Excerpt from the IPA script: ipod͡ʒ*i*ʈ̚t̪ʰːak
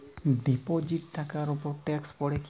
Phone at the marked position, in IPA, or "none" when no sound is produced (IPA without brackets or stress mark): i